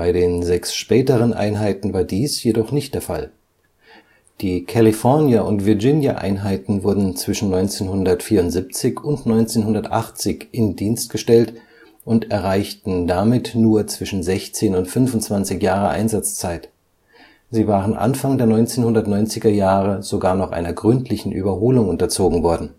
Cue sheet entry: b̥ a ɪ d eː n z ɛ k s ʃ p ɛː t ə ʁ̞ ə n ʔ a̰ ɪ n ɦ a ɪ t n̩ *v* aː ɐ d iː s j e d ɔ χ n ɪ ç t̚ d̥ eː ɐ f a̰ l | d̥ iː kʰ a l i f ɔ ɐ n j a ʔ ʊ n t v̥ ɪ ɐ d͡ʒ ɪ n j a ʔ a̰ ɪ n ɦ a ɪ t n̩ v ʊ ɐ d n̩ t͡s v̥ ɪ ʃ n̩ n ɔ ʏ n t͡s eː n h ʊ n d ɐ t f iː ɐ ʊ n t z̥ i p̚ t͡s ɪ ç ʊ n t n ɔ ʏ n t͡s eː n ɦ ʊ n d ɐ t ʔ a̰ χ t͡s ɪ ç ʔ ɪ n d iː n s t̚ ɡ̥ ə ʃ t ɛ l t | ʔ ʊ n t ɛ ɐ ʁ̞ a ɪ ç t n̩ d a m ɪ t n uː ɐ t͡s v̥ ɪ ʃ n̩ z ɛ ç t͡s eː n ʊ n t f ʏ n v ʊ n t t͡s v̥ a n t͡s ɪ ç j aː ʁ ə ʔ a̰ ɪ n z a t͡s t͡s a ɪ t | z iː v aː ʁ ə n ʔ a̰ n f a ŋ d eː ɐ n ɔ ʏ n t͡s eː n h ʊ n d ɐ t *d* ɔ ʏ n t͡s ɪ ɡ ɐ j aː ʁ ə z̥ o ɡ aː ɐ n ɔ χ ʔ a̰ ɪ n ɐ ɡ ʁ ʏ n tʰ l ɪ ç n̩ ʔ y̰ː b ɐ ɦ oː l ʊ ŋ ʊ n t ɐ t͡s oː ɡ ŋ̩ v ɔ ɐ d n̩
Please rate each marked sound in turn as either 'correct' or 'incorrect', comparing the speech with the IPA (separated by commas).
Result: correct, incorrect